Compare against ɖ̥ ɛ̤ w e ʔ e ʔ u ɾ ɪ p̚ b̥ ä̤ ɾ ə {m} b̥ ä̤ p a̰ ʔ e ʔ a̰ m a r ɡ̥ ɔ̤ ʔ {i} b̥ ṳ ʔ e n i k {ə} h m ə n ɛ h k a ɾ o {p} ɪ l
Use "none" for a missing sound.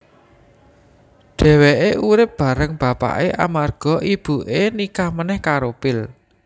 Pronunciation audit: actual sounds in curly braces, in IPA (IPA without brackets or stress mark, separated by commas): ŋ, i, a, p